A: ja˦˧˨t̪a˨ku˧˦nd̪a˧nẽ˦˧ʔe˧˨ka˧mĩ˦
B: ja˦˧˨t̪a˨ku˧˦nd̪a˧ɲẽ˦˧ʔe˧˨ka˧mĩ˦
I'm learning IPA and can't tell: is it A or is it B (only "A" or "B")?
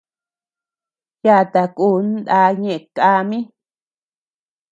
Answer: B